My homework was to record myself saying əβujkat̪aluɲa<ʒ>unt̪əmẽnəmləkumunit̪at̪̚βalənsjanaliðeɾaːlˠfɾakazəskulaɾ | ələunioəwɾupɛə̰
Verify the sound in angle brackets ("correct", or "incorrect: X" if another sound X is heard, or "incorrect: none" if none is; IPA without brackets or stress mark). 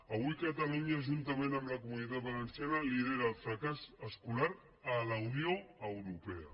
correct